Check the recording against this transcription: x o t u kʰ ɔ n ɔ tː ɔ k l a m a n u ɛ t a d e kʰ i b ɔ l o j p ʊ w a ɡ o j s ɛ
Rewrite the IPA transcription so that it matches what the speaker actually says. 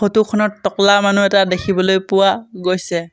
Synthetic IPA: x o t u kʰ ɔ n ɔ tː ɔ k l a m a n u ɛ t a d e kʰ i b ɔ l o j p ʊ w a ɡ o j s ɛ